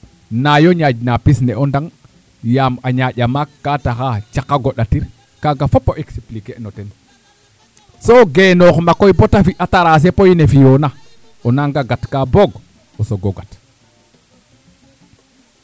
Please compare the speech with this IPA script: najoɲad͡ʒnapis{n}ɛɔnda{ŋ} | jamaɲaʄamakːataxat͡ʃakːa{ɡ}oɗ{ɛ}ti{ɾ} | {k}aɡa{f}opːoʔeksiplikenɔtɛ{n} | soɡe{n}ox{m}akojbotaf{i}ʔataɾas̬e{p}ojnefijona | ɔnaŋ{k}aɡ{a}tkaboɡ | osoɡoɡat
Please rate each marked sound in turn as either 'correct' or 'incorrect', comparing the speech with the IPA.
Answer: correct, correct, correct, incorrect, correct, correct, correct, correct, correct, correct, correct, correct, incorrect, correct

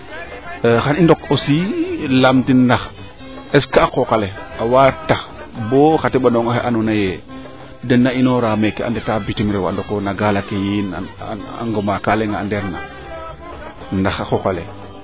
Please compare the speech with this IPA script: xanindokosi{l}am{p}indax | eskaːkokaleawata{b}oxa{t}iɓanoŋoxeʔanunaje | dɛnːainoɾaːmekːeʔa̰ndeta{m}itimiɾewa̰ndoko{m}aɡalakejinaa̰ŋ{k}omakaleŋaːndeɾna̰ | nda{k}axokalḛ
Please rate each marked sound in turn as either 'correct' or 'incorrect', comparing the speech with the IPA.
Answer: correct, incorrect, correct, correct, incorrect, incorrect, incorrect, incorrect

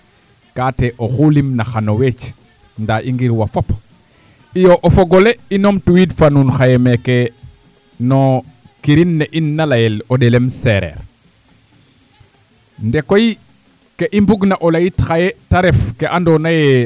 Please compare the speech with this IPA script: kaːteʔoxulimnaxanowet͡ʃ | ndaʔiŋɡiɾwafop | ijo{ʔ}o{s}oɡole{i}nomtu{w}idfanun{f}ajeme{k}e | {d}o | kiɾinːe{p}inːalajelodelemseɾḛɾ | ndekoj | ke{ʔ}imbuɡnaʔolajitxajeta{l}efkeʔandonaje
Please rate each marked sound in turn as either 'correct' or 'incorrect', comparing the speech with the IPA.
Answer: correct, incorrect, correct, correct, incorrect, correct, incorrect, incorrect, correct, incorrect

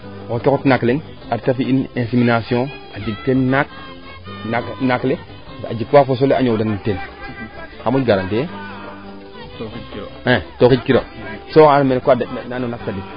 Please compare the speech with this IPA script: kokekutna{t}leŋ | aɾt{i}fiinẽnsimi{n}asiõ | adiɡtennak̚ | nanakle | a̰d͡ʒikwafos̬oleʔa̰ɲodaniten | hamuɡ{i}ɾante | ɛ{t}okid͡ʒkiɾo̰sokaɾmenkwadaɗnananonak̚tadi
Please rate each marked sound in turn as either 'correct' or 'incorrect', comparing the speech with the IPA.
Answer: incorrect, incorrect, correct, incorrect, correct

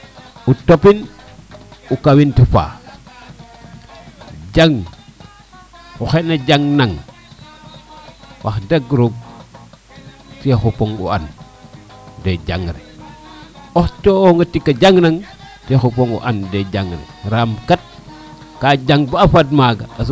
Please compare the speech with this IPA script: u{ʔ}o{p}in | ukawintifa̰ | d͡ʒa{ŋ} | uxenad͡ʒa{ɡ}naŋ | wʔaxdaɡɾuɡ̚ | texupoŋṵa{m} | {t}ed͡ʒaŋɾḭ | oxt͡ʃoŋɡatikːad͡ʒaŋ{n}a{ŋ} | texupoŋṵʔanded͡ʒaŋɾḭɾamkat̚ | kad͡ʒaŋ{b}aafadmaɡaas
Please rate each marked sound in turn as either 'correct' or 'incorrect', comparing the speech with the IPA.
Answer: incorrect, correct, correct, incorrect, incorrect, incorrect, correct, correct, correct

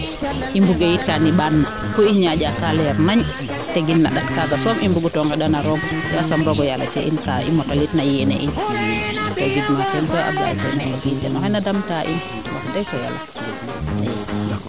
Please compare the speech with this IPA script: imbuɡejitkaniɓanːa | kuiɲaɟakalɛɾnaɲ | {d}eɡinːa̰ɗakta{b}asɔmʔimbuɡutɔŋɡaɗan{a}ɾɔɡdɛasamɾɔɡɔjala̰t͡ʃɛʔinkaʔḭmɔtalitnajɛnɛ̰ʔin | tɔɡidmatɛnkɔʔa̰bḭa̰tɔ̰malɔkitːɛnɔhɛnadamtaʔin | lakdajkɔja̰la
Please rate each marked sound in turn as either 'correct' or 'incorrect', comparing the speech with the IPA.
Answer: incorrect, incorrect, correct

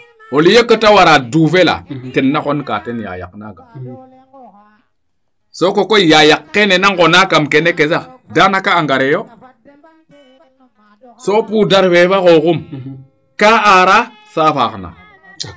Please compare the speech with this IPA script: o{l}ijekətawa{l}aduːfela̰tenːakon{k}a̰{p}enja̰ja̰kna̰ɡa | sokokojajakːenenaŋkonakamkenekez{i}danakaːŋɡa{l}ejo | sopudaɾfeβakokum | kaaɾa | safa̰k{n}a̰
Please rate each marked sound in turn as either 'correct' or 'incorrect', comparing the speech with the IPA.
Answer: correct, incorrect, correct, incorrect, incorrect, incorrect, correct

